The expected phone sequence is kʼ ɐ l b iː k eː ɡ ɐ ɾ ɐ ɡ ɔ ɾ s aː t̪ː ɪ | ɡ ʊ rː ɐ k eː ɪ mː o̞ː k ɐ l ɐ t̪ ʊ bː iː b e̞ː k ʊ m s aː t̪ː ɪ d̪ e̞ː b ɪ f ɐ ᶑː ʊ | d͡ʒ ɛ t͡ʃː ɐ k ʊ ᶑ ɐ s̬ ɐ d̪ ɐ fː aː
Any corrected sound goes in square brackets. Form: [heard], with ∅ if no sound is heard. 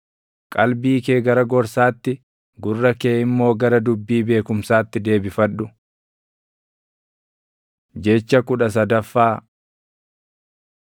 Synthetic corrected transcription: kʼ ɐ l b iː k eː ɡ ɐ ɾ ɐ ɡ ɔ ɾ s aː t̪ː ɪ | ɡ ʊ rː ɐ k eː ɪ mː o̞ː [ɡ] ɐ [ɾ] ɐ [d̪] ʊ bː iː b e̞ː k ʊ m s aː t̪ː ɪ d̪ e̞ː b ɪ f ɐ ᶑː ʊ | d͡ʒ ɛ t͡ʃː ɐ k ʊ ᶑ ɐ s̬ ɐ d̪ ɐ fː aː